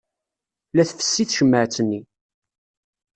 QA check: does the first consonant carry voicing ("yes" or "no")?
yes